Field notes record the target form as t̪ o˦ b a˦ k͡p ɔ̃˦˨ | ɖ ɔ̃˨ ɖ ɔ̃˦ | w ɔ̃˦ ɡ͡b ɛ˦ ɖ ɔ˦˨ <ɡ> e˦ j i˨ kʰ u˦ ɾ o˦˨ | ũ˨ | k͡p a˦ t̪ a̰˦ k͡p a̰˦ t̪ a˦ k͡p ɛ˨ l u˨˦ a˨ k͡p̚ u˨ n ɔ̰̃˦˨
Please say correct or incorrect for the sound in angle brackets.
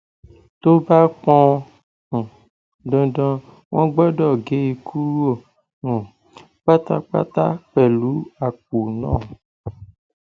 correct